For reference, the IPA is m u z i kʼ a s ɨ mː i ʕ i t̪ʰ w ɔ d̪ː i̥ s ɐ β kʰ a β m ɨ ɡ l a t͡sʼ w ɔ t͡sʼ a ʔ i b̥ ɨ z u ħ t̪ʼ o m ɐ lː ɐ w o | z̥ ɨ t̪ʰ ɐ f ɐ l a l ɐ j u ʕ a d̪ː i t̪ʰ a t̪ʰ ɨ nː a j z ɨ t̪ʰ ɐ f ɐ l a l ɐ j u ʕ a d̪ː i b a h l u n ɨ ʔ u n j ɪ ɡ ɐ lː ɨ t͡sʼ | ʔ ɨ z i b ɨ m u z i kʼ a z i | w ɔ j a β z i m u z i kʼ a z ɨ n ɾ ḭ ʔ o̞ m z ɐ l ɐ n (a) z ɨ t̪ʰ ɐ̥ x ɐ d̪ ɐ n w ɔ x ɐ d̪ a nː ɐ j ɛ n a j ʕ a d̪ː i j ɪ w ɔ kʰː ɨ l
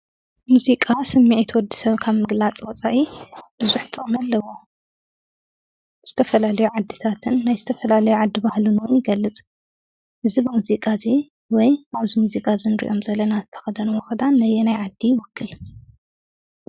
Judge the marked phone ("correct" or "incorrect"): correct